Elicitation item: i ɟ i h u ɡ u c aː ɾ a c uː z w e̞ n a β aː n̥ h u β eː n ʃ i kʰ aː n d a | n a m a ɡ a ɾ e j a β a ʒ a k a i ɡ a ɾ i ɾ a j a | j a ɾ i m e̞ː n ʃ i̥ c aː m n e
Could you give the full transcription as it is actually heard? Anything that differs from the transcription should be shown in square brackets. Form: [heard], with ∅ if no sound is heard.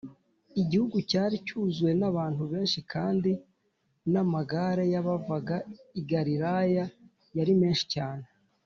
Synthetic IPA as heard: i ɟ i h u ɡ u c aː ɾ [i] c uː z w e̞ n a β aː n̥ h u β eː n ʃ i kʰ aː n d [i] | n a m a ɡ a ɾ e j a β a [v] a [ɡ] a i ɡ a ɾ i ɾ a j a | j a ɾ i m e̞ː n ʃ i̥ c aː [∅] n e